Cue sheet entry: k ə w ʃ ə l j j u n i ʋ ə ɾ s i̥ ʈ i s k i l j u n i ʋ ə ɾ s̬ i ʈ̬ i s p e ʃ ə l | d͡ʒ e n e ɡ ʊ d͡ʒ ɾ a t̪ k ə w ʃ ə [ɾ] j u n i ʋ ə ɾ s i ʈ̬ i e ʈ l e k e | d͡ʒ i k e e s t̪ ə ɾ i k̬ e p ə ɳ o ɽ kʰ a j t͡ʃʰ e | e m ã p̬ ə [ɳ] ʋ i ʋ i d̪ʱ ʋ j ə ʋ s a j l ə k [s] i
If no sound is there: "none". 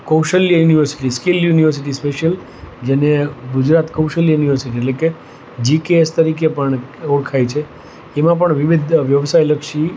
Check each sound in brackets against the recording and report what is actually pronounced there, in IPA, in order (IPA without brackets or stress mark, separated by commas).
l, ɳ, ʃ